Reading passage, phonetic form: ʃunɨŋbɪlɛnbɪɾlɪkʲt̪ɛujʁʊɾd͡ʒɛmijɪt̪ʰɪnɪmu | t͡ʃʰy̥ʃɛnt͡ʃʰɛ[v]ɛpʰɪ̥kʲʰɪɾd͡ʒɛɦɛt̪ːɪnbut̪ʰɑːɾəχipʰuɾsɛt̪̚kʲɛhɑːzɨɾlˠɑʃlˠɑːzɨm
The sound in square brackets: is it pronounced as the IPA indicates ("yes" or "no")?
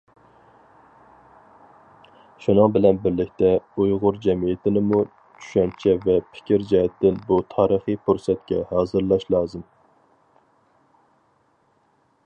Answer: yes